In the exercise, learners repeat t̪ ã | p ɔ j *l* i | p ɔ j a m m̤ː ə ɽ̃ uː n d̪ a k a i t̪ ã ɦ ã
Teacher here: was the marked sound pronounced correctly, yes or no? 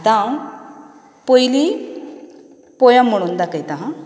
yes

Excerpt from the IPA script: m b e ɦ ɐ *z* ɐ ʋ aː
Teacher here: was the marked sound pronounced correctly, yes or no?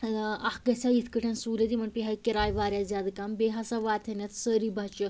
no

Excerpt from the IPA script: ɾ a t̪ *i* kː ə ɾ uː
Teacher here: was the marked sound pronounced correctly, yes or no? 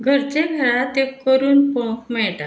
no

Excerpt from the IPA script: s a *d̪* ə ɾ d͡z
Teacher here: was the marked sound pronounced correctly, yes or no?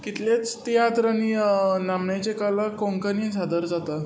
yes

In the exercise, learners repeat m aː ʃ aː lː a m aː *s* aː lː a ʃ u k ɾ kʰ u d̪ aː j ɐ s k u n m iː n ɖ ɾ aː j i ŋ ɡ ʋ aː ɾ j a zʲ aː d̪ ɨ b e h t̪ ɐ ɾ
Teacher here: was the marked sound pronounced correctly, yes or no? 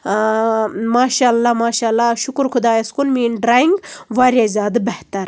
no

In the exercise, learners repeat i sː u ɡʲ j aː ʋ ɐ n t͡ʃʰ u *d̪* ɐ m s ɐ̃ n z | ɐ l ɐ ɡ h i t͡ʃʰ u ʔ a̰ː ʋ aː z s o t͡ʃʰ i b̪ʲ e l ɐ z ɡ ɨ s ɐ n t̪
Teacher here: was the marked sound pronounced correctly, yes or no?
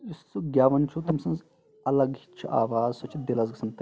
no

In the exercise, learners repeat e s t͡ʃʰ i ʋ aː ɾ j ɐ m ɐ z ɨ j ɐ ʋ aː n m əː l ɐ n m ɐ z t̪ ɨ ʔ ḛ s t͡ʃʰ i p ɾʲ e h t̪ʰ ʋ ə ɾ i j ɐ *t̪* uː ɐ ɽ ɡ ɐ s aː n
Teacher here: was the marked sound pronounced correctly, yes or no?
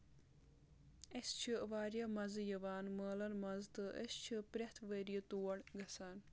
yes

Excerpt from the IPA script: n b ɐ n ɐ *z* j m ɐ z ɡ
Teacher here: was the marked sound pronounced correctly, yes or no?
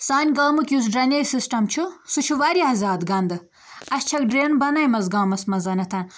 no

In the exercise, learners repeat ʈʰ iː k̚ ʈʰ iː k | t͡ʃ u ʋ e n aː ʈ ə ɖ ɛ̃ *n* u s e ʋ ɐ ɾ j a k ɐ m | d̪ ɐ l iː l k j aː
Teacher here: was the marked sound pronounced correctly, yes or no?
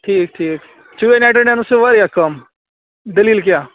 yes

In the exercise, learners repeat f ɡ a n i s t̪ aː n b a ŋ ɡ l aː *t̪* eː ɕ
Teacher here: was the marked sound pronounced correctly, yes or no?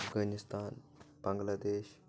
no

